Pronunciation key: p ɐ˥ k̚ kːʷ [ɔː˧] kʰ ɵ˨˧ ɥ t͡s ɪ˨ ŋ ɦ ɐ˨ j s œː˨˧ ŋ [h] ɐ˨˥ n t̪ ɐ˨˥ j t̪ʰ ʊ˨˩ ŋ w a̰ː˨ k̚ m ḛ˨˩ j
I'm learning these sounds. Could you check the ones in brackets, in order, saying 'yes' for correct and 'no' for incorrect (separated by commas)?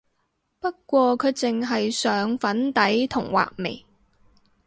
yes, no